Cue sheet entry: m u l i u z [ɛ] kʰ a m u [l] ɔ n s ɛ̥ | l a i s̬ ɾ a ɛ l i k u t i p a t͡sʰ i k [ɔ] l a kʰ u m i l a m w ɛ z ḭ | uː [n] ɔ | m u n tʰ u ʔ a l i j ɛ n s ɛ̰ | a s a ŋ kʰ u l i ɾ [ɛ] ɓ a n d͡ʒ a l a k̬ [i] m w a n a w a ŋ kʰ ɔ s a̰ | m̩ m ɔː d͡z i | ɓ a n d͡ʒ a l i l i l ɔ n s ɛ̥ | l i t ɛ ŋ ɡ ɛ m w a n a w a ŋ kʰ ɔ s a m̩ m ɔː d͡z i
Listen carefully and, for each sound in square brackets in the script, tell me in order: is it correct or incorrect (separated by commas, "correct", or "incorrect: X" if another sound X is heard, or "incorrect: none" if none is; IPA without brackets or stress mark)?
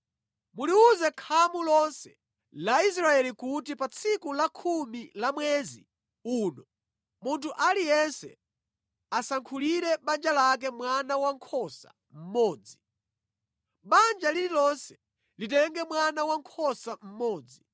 correct, correct, incorrect: u, correct, correct, incorrect: ɛ